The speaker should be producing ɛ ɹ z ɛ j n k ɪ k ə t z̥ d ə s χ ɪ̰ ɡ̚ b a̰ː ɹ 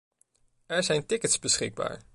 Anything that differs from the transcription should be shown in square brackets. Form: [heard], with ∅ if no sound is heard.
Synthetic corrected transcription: ɛ ɹ z ɛ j n [t] ɪ k ə t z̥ [b] ə s χ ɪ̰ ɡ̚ b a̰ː ɹ

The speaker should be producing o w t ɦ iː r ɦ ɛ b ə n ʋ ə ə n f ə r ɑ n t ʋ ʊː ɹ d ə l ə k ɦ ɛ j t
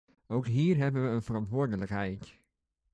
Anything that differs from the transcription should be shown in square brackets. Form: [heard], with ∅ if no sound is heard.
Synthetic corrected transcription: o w [k] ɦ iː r ɦ ɛ b ə n ʋ ə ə n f ə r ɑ n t ʋ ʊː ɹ d ə l ə k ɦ ɛ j t

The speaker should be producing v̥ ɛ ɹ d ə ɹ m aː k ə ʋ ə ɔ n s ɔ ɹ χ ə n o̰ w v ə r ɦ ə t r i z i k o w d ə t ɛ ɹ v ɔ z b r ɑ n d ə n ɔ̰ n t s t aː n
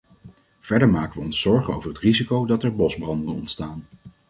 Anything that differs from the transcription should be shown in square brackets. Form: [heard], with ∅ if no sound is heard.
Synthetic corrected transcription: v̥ ɛ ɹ d ə ɹ m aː k ə ʋ ə ɔ n s ɔ ɹ χ ə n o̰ w v ə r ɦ ə t r i z i k o w d [ɑ] t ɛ ɹ [b] ɔ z b r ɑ n d ə n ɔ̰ n t s t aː n

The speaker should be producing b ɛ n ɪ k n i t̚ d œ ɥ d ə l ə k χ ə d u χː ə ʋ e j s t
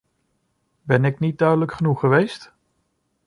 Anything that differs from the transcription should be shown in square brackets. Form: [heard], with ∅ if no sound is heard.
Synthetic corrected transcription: b ɛ n ɪ k n i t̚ d œ ɥ d ə l ə k χ ə [n] u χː ə ʋ e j s t

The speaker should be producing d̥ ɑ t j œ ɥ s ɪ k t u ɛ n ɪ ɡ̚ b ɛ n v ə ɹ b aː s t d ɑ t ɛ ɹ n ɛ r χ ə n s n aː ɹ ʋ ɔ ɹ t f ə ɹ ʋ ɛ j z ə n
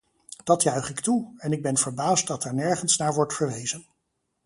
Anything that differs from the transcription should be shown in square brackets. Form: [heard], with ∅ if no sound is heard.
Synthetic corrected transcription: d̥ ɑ t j œ ɥ [χ] ɪ k t u ɛ n ɪ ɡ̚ b ɛ n v ə ɹ b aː s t d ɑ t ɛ ɹ n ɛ [ɹ] χ ə n s n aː ɹ ʋ ɔ ɹ t f ə ɹ ʋ [e] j z ə n

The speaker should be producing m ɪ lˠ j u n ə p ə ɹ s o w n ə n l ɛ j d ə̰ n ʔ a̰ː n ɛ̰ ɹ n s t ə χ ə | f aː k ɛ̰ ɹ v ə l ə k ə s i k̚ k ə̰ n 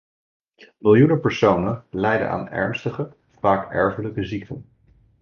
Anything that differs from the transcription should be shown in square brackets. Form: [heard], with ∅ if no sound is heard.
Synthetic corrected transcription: m ɪ lˠ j u n ə p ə ɹ s o w n ə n l ɛ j d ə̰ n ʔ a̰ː n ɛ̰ ɹ n s t ə χ ə | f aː k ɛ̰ ɹ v ə l ə k ə [z] i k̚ [t] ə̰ n

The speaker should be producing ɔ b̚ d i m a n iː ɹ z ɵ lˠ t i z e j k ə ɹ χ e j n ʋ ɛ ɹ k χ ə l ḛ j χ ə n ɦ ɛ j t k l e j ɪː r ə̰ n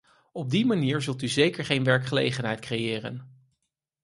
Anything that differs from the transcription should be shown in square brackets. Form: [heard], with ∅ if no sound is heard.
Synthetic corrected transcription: ɔ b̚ d i m a n iː ɹ z ɵ lˠ t [y] z e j k ə ɹ χ e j n ʋ ɛ ɹ k χ ə l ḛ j χ ə n ɦ ɛ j t k [r] e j ɪː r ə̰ n

